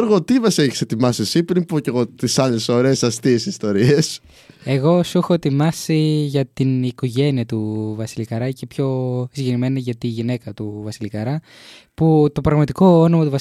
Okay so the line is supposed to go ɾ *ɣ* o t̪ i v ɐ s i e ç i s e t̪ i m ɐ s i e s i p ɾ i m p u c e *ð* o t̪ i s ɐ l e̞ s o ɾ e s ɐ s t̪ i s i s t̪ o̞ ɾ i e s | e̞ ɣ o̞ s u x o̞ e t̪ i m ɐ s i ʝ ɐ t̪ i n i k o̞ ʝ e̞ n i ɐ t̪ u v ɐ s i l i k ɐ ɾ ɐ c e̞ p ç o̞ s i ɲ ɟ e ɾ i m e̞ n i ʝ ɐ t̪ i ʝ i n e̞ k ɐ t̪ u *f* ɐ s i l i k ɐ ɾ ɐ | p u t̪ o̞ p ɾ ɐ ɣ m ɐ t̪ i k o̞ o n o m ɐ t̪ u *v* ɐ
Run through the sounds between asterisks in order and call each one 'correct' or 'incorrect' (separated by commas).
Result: correct, incorrect, incorrect, correct